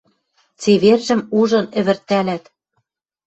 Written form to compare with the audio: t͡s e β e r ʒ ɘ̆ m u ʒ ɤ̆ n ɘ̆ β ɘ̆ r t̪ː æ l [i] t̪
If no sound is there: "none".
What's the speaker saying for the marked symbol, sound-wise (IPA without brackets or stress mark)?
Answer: æ